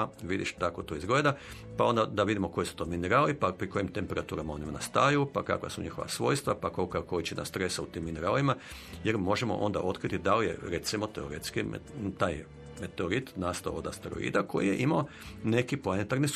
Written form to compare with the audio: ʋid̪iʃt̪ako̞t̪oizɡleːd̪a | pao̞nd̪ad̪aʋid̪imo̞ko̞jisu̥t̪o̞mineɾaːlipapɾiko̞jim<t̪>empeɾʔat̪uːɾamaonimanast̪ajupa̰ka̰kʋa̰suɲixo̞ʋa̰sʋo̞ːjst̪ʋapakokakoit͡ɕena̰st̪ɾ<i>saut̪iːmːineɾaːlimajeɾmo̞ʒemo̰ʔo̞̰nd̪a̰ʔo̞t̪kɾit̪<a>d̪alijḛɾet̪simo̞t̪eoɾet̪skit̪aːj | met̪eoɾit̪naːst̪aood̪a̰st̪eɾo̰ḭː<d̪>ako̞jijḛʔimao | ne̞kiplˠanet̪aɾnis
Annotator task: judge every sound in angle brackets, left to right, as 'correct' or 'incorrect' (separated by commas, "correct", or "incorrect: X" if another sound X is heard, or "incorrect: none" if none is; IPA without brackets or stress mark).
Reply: correct, incorrect: e, incorrect: i, correct